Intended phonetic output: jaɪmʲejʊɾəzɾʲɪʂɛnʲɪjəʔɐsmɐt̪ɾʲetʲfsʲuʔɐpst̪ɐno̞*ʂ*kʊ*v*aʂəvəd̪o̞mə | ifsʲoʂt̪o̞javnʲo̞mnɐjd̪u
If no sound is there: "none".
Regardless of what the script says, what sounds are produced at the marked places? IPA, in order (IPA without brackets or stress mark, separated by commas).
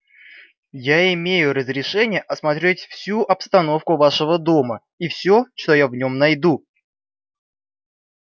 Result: f, v